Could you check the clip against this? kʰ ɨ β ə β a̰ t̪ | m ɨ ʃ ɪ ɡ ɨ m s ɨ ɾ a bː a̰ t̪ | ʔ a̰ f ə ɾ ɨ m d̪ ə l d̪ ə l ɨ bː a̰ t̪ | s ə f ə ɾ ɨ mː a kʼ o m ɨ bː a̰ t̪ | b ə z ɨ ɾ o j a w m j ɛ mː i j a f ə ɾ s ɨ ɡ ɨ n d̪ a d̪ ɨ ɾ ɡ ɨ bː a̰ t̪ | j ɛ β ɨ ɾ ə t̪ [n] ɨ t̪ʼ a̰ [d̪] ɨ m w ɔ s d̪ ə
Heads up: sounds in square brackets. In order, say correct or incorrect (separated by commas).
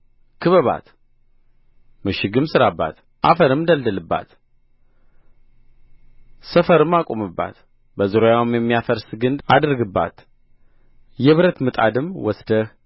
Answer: incorrect, correct